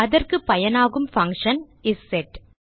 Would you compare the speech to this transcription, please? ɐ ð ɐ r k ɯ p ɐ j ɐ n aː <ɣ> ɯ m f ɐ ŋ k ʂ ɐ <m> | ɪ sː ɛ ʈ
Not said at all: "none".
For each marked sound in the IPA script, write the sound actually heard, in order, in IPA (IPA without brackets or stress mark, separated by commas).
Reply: ɣ, n